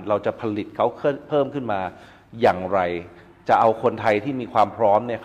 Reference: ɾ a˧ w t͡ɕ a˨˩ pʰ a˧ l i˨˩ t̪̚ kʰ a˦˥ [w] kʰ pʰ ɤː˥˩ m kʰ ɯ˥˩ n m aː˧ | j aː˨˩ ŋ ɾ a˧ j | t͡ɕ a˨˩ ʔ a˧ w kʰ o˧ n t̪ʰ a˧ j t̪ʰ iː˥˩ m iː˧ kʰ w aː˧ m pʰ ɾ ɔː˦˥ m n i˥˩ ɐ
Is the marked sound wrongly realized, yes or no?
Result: no